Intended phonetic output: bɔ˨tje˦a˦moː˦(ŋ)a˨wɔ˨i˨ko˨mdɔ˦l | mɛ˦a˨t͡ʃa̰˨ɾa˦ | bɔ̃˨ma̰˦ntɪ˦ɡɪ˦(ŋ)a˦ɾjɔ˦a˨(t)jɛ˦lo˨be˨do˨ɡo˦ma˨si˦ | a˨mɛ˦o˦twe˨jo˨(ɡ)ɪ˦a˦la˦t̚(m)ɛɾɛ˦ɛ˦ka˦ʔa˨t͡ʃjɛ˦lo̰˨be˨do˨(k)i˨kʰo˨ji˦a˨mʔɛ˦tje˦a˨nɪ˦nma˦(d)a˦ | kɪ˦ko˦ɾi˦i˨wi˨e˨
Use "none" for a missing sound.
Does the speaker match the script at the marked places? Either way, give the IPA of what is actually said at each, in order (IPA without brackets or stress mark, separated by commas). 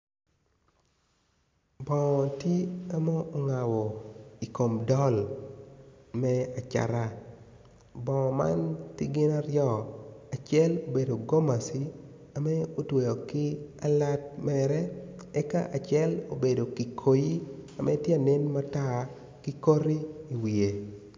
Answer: ŋ, n, t͡ʃ, k, m, k, t